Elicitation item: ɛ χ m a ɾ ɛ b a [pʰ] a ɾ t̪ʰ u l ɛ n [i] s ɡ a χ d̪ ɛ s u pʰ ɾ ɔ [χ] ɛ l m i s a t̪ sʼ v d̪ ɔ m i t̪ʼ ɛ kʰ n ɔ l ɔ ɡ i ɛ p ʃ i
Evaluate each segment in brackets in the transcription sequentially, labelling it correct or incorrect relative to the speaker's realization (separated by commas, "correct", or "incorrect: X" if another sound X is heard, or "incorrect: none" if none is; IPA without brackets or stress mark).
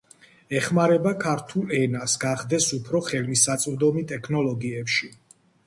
incorrect: kʰ, incorrect: a, correct